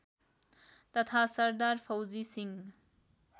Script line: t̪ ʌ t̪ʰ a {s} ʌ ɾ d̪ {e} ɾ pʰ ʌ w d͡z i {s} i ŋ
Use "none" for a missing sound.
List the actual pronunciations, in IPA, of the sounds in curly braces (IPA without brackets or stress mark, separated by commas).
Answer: s, a, s